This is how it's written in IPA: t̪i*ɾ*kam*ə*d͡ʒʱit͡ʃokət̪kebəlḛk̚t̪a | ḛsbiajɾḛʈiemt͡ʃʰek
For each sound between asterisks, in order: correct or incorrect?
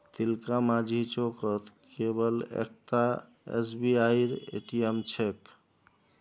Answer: incorrect, incorrect

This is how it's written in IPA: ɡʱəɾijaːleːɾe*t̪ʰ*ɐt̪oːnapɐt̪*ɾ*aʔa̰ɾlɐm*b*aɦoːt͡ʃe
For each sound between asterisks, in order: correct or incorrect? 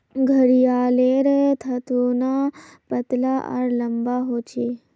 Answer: correct, incorrect, correct

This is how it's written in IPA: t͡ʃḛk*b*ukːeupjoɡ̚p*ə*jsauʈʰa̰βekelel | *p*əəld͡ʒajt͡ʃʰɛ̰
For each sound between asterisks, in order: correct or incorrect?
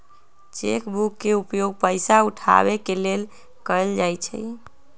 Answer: correct, correct, incorrect

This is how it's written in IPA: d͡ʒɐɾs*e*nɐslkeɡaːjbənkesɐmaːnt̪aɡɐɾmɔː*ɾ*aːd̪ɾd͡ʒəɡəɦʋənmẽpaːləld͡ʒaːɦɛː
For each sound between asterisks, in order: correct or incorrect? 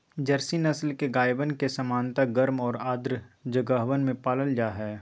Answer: incorrect, correct

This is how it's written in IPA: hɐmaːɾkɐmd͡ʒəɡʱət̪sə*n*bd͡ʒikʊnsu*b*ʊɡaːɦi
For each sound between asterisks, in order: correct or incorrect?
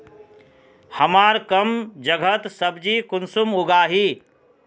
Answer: incorrect, incorrect

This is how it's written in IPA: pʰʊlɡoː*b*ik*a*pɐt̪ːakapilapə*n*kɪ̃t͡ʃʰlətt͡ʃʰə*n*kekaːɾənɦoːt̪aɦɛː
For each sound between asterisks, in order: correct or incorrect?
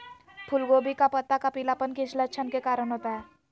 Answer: correct, correct, correct, correct

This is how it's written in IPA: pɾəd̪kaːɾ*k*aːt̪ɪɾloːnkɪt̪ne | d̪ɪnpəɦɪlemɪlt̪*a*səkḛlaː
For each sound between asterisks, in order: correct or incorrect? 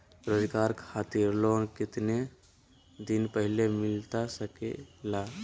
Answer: incorrect, correct

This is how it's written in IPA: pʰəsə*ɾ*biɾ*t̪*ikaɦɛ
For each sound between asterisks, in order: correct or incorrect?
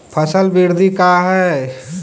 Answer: incorrect, incorrect

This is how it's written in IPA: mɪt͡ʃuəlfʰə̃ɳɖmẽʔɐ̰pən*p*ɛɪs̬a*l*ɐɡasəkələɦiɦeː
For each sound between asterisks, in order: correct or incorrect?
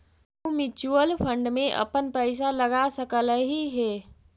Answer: correct, correct

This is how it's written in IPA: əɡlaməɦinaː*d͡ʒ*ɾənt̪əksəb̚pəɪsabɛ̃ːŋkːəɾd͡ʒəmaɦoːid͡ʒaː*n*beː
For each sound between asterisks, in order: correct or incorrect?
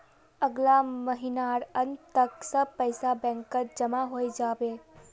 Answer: incorrect, incorrect

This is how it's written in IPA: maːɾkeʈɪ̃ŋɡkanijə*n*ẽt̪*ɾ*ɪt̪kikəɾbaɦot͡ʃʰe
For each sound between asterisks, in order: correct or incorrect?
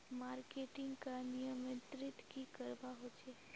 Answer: incorrect, correct

